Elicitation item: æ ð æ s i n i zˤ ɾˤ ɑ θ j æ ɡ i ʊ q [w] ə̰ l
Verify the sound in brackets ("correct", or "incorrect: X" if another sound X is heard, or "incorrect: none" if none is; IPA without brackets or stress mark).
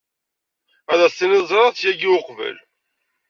incorrect: v